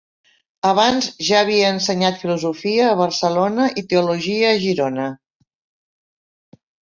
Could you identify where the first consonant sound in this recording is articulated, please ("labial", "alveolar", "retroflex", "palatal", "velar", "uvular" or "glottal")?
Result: labial